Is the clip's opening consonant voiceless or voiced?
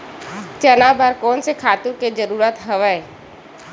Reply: voiceless